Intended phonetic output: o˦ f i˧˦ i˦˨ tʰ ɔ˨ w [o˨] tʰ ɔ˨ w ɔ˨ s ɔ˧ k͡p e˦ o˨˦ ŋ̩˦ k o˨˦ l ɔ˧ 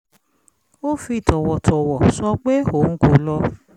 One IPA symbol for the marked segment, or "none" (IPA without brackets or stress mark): ɔ˨